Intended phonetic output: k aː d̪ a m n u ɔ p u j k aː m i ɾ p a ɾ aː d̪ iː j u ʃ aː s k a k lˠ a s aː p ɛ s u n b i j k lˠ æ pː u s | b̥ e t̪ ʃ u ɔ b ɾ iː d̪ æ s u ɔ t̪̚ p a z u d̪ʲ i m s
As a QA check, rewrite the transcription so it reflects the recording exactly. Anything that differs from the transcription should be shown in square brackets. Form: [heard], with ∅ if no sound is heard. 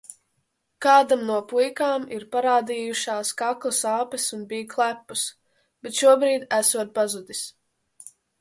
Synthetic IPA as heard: k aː d̪ a m n u ɔ p u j k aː m i ɾ p a ɾ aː d̪ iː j u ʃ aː s k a k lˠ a s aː p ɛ s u n b i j k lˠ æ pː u s | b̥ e t̪ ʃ u ɔ b ɾ iː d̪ æ s u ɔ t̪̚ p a z u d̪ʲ i [∅] s